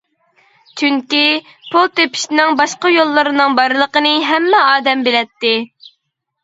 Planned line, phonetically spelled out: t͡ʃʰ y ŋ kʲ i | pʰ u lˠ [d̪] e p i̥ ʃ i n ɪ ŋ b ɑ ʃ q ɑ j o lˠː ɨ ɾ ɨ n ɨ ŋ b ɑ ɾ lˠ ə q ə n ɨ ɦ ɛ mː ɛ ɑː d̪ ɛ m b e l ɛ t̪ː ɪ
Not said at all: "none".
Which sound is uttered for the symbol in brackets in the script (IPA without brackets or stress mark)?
t̪